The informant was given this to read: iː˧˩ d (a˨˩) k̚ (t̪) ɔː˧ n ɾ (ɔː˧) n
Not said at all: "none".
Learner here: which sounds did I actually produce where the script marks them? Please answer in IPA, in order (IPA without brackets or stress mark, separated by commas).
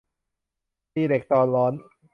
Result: e˨˩, t̪, ɔː˦˥